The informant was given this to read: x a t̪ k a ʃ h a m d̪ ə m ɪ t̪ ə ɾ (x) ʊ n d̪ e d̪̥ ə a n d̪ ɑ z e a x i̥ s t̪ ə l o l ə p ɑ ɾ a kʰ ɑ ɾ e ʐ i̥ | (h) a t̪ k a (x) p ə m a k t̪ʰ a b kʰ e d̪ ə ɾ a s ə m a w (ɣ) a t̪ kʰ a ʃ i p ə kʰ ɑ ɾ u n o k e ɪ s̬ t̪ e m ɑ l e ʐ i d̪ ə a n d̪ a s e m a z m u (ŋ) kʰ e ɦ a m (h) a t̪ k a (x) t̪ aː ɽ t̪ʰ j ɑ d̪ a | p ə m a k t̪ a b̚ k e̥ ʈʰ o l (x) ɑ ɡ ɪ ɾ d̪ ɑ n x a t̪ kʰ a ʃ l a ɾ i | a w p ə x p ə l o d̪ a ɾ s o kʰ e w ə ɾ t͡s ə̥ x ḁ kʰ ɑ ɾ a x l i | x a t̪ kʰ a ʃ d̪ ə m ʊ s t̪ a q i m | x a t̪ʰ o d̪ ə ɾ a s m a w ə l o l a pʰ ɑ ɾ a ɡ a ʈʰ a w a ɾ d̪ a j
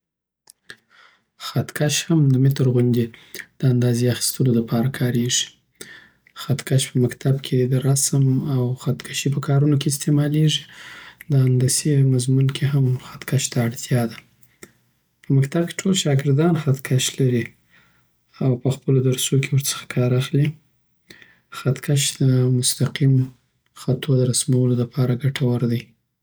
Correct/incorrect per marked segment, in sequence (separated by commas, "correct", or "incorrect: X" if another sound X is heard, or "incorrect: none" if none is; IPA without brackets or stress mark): incorrect: ɣ, incorrect: x, incorrect: ʃ, incorrect: x, incorrect: n, incorrect: x, incorrect: ʃ, incorrect: ʃ